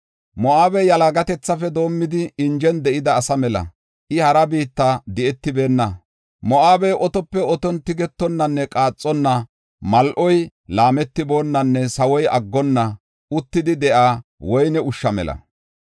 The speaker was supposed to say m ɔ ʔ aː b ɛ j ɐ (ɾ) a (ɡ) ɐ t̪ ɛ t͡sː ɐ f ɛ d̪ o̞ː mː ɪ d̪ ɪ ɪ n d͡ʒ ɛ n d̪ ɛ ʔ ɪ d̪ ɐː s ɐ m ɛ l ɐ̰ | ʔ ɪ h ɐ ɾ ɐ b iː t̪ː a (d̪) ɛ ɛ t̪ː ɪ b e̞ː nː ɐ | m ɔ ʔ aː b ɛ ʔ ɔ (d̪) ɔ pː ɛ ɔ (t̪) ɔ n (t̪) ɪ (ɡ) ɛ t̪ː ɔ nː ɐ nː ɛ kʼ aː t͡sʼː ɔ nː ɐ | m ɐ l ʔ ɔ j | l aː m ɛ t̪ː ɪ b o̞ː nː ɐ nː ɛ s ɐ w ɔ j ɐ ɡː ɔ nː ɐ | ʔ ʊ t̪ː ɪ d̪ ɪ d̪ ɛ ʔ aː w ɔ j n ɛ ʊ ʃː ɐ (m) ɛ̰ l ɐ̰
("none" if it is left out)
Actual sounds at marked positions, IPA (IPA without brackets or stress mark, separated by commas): l, ɡ, d̪, t̪, t̪, t̪, ɡ, m